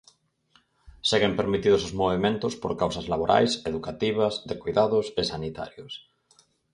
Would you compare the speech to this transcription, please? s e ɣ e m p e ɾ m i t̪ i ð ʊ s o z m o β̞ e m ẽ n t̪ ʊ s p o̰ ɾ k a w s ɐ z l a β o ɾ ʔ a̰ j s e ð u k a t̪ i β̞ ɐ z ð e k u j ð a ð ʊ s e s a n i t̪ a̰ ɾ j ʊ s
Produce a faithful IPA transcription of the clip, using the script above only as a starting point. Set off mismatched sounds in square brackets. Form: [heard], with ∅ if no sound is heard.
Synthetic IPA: s e ɣ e m p e ɾ m i t̪ i ð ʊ s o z m o β̞ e m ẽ n t̪ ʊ s p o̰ ɾ k a w s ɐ z l a β o ɾ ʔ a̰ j s e ð u k a t̪ i β̞ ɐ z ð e k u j ð a ð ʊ s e s a n i t̪ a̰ ɾ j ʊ s